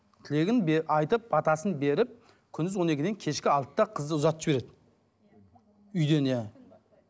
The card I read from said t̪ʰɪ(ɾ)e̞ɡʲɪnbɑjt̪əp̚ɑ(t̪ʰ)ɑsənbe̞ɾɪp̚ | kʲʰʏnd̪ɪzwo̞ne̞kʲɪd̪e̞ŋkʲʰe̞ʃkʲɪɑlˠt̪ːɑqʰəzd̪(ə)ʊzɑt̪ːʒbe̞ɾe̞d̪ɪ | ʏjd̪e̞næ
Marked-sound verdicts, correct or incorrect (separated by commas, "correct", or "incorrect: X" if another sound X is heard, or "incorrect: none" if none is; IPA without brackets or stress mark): incorrect: l, incorrect: t̪, correct